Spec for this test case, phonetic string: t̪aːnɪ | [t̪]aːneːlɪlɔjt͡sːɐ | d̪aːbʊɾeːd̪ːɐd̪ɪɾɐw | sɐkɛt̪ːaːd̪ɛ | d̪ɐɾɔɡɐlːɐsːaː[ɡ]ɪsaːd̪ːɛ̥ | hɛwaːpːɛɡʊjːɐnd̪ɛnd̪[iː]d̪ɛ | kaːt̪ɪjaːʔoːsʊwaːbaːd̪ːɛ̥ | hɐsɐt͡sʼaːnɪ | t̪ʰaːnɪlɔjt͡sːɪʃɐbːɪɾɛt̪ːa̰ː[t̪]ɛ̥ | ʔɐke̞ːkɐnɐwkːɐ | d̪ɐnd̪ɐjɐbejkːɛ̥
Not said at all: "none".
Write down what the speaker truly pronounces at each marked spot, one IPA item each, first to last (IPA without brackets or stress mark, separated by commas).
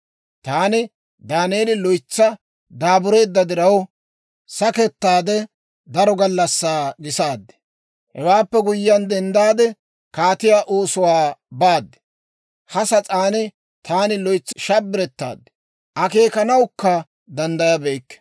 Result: d̪, ɡ, aː, d̪